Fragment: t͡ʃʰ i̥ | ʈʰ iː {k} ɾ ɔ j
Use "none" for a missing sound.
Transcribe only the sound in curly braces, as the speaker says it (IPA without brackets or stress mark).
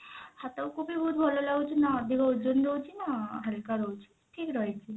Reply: k